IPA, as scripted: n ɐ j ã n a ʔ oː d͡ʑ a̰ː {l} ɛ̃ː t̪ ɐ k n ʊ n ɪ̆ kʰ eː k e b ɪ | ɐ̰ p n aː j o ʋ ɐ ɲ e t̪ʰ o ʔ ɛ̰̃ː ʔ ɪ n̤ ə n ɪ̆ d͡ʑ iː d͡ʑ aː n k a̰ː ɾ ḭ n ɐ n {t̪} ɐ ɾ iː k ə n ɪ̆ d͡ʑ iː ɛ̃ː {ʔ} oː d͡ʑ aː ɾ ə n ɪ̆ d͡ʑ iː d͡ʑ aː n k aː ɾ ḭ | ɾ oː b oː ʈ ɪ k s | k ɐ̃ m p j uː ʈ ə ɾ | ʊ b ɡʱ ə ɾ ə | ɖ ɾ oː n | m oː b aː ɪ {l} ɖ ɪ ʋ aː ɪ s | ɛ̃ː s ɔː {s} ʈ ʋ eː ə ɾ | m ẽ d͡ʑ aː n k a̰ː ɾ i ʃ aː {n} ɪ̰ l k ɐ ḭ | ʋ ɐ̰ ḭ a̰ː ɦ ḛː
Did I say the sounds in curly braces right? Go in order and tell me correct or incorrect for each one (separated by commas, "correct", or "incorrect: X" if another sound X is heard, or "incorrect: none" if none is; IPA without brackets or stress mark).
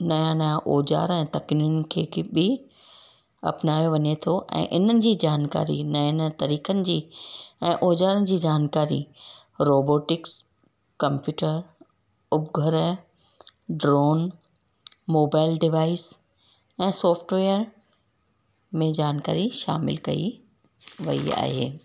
incorrect: ɾ, correct, correct, correct, incorrect: f, incorrect: m